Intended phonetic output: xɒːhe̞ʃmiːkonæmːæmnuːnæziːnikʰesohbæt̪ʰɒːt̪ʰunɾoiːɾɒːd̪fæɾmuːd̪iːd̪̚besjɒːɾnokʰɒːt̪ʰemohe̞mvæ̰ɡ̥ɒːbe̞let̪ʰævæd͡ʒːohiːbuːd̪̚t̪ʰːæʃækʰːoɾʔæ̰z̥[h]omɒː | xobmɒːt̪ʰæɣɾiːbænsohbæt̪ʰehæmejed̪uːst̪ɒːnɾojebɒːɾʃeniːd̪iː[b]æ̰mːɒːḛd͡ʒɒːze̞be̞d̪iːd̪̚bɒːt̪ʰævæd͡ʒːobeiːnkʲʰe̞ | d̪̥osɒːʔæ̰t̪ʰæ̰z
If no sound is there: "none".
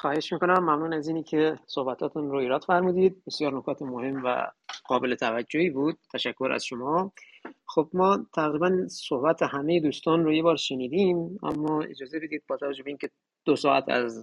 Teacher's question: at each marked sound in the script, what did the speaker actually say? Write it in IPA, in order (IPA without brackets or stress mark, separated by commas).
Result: ʃ, m